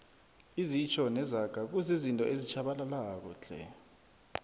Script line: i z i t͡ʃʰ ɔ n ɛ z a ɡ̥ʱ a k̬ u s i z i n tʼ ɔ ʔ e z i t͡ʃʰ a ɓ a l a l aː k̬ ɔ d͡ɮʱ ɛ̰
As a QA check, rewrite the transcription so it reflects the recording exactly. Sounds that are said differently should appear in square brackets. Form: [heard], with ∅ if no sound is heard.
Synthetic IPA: i z i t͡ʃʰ ɔ n ɛ z a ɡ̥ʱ a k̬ u [z] i z i n tʼ ɔ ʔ e z i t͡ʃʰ a ɓ a l a l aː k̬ ɔ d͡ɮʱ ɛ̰